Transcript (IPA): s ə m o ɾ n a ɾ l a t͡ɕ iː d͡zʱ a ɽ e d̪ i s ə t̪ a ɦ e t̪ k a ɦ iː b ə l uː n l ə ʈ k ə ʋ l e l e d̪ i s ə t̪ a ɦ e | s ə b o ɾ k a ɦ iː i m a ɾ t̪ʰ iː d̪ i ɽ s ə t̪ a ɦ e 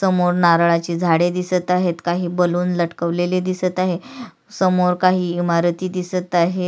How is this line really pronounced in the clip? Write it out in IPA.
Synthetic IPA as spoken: s ə m o ɾ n a ɾ ɭ a t͡ɕ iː d͡zʱ a ɽ e d̪ i s ə t̪ a ɦ e t̪ k a ɦ iː b ə l uː n l ə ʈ k ə ʋ l e l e d̪ i s ə t̪ a ɦ e | s ə m o ɾ k a ɦ iː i m a ɾ t̪ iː d̪ i s ə t̪ a ɦ e